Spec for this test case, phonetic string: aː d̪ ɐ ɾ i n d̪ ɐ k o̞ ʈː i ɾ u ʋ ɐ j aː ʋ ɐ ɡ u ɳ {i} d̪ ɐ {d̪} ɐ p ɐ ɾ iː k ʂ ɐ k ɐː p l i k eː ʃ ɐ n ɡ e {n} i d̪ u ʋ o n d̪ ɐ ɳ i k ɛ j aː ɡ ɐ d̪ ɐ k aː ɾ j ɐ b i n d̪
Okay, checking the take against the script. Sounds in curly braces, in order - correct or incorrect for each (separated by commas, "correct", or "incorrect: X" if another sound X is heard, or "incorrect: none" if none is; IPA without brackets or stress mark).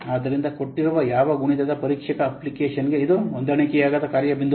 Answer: correct, correct, incorrect: none